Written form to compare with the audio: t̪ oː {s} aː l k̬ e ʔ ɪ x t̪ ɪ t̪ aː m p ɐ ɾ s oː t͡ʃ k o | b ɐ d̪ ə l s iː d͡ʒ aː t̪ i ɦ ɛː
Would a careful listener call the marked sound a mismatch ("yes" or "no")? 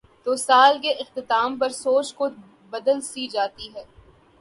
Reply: no